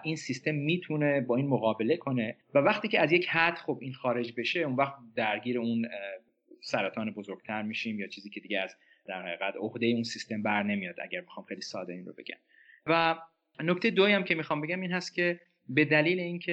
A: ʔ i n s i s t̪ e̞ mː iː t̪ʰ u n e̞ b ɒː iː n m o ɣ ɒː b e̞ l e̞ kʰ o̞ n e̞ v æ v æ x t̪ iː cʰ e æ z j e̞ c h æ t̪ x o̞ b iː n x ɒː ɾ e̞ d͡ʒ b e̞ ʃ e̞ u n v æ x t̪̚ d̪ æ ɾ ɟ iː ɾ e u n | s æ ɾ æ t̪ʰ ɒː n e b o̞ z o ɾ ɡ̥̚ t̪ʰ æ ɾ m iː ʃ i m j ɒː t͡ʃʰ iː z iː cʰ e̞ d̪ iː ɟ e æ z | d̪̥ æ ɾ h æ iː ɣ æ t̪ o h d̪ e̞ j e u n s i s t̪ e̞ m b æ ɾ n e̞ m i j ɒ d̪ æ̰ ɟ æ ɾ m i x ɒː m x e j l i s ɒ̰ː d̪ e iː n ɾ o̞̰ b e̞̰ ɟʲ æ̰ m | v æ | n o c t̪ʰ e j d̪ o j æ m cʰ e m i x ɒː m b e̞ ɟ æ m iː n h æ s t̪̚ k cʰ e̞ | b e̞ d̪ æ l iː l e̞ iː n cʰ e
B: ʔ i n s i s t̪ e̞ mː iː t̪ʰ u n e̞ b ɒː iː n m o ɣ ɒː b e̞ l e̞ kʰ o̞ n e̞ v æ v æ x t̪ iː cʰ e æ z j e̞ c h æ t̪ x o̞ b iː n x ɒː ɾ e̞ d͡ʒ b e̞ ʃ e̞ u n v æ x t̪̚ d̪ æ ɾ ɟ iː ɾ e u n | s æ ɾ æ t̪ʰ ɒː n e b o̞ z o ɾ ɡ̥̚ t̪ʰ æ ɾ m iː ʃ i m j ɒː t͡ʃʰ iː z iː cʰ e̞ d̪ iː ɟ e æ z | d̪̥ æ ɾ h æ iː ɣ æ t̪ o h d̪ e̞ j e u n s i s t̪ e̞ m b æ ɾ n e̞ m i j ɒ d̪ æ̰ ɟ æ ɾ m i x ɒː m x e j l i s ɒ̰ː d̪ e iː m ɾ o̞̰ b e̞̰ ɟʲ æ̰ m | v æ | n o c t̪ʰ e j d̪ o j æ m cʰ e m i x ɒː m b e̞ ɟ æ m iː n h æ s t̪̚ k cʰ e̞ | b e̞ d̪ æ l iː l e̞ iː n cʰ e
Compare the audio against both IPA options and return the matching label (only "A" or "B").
A